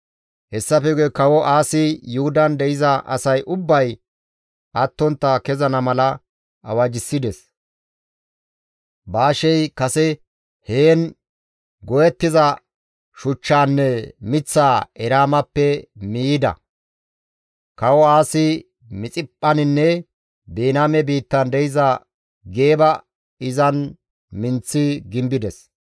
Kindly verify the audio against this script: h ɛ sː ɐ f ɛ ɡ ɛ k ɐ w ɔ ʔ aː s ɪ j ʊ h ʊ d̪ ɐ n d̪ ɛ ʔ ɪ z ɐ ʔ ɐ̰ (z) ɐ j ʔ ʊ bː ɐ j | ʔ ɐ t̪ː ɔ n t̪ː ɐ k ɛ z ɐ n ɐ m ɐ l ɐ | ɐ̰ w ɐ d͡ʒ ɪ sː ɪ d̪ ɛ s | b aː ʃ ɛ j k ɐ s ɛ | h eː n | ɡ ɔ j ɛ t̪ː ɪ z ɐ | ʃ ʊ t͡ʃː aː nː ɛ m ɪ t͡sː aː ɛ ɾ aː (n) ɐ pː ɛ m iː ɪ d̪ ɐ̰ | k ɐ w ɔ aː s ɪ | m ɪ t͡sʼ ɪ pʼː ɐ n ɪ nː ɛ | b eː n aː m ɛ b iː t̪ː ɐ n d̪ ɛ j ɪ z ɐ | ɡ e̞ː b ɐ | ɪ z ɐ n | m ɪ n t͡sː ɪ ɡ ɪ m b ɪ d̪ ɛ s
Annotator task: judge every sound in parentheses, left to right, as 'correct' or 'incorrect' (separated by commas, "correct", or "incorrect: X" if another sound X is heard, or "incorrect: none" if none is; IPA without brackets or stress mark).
incorrect: s, incorrect: m